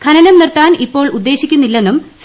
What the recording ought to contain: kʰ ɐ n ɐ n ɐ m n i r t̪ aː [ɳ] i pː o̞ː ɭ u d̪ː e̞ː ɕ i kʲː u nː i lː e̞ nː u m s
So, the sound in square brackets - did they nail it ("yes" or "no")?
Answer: no